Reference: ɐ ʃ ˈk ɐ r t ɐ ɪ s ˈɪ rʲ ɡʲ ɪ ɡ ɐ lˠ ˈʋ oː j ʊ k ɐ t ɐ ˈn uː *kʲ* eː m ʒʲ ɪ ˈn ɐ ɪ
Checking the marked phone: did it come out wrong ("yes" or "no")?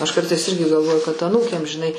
no